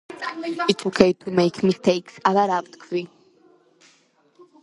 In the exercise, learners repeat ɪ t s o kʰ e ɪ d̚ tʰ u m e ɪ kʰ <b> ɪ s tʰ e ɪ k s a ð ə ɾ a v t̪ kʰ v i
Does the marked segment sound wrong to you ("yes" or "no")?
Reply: yes